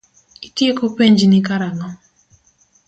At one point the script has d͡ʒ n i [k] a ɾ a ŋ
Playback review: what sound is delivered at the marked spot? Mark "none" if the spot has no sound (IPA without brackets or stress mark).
k